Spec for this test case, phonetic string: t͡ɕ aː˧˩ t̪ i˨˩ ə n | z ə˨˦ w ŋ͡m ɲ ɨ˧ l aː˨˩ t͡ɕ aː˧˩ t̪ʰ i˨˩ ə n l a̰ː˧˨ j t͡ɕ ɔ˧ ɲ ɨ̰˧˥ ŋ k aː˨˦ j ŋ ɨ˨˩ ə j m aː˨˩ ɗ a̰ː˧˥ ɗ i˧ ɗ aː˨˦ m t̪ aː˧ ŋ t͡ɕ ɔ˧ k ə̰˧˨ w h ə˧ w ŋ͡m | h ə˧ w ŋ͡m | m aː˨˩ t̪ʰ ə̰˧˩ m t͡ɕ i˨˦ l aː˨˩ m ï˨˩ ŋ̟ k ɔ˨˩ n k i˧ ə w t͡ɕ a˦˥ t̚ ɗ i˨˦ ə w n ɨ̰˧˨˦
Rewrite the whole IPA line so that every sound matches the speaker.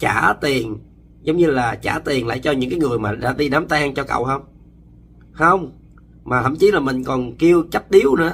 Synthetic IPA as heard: t͡ɕ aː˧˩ t̪ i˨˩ ə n | z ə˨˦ w ŋ͡m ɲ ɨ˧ l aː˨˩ t͡ɕ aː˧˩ t̪ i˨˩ ə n l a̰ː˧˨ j t͡ɕ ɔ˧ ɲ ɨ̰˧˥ ŋ k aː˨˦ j ŋ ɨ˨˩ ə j m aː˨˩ ɗ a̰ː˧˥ ɗ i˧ ɗ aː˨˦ m t̪ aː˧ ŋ t͡ɕ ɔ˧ k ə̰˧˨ w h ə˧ w ŋ͡m | h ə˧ w ŋ͡m | m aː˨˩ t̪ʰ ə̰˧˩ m t͡ɕ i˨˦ l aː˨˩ m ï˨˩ ŋ̟ k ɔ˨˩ n k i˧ ə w t͡ɕ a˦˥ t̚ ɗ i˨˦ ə w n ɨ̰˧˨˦